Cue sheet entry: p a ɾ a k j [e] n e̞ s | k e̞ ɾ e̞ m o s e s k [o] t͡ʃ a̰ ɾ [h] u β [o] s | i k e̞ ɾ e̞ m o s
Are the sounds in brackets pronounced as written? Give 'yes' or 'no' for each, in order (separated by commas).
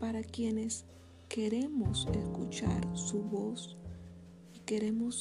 yes, no, no, yes